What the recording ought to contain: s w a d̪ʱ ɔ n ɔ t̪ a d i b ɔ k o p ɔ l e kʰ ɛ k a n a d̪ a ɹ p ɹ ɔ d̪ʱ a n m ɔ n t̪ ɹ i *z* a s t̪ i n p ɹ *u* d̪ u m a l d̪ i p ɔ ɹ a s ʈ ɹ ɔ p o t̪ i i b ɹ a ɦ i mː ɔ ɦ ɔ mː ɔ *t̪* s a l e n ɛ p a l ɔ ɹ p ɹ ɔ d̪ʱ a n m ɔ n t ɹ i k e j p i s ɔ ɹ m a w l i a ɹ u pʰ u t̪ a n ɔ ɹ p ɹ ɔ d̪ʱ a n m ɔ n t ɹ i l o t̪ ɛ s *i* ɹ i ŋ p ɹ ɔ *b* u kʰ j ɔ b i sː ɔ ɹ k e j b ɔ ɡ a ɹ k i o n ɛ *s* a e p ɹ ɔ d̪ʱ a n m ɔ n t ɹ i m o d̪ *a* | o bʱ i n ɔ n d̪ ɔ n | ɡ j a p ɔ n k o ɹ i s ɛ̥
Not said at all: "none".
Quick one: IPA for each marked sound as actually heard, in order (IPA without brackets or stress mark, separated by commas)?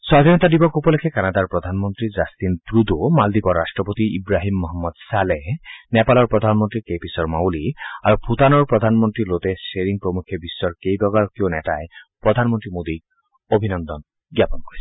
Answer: z, u, d̪, e, m, t, i